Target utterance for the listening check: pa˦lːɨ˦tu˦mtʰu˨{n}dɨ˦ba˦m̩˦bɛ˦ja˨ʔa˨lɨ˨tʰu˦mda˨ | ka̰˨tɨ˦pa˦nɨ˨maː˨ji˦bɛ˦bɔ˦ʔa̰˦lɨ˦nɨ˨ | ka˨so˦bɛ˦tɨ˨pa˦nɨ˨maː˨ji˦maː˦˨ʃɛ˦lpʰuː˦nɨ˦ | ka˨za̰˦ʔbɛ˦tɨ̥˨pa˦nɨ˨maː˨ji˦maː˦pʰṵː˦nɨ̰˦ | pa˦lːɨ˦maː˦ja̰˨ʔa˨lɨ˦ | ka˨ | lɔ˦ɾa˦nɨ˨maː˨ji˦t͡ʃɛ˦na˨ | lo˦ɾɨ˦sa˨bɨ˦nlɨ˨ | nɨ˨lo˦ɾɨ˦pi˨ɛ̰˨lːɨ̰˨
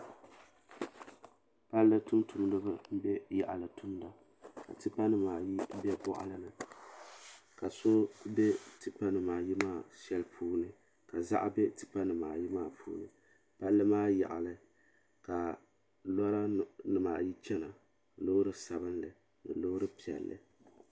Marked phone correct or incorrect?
incorrect